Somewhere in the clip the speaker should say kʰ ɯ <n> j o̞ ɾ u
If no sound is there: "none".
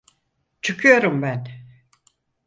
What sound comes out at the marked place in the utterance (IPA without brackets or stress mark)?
none